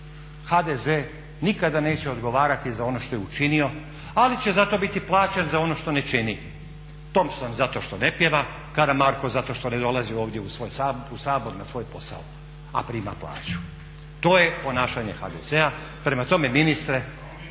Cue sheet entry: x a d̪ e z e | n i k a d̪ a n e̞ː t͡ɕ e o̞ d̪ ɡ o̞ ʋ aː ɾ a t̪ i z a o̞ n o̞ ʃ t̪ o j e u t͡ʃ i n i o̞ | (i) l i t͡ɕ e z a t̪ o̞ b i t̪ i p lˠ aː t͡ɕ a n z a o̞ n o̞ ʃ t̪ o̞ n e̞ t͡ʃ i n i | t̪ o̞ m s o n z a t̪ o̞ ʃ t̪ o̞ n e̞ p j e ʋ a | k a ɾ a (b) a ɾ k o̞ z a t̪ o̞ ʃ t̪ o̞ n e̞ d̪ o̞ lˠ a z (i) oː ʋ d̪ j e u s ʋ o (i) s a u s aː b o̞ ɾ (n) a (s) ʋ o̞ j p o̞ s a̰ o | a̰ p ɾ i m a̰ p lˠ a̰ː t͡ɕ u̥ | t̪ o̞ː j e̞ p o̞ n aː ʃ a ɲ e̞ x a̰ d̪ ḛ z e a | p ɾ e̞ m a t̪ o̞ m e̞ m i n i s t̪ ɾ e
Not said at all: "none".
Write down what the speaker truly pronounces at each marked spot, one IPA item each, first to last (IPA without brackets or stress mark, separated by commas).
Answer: a, m, i, j, n, s